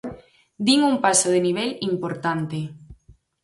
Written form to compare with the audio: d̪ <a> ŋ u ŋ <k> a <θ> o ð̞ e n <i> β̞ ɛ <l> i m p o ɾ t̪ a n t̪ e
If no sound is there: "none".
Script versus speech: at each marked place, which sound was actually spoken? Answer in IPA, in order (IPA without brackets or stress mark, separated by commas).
i, p, s, i, l